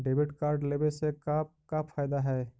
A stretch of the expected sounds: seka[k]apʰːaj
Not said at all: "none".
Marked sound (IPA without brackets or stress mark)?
k